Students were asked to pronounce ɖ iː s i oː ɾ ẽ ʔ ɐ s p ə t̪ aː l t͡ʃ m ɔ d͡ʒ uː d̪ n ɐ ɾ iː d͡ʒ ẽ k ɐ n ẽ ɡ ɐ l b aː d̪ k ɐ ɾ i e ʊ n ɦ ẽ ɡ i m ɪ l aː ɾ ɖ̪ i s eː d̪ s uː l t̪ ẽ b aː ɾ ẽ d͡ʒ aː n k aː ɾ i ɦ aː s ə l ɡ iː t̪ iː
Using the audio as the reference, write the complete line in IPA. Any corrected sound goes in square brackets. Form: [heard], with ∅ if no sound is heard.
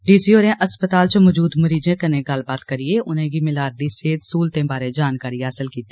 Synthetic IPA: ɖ iː s i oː ɾ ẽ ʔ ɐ s p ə t̪ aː l t͡ʃ m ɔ d͡ʒ uː d̪ [m] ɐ ɾ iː d͡ʒ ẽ k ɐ n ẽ ɡ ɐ l b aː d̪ k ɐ ɾ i e ʊ n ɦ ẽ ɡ i m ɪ l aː ɾ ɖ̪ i s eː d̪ s uː l t̪ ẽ b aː ɾ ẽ d͡ʒ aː n k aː ɾ i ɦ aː s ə l [k] iː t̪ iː

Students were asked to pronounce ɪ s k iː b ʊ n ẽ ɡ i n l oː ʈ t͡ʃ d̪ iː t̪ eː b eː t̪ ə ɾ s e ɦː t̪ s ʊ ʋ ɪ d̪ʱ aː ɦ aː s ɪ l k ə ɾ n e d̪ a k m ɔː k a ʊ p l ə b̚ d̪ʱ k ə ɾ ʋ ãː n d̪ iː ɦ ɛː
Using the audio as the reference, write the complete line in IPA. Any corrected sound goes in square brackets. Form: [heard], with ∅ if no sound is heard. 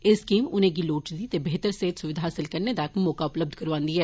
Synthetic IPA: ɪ s k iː [m] ʊ n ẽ ɡ i [∅] l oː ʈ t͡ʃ d̪ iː t̪ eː b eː t̪ ə ɾ s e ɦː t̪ s ʊ ʋ ɪ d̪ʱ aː ɦ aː s ɪ l k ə ɾ n e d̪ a k m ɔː k a ʊ p l ə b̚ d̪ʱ k ə ɾ ʋ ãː n d̪ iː ɦ ɛː

